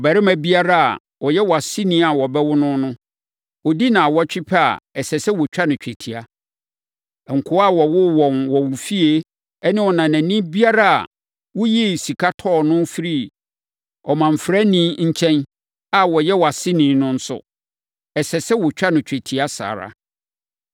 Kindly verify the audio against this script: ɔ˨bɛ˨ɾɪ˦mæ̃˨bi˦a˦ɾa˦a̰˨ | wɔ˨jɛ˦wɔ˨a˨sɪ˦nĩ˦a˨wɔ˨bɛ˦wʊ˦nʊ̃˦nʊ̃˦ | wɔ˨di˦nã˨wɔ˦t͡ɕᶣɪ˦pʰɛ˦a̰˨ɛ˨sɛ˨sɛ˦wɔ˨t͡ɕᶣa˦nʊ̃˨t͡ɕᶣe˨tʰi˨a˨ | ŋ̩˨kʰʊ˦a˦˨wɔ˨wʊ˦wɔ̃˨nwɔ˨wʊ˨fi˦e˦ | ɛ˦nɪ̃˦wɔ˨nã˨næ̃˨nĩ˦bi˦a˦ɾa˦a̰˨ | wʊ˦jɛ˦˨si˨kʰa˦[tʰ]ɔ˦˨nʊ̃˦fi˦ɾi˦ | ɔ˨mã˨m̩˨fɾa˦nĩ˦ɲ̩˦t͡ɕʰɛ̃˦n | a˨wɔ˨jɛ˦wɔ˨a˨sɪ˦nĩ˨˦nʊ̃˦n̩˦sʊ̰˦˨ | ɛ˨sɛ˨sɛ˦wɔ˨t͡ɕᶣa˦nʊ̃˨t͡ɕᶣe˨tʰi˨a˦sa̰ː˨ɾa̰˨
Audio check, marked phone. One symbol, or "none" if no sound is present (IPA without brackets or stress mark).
tʰ